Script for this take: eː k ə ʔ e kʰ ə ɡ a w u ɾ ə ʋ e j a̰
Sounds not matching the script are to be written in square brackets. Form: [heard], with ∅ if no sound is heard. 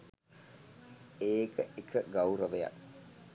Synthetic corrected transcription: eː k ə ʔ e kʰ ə ɡ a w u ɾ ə ʋ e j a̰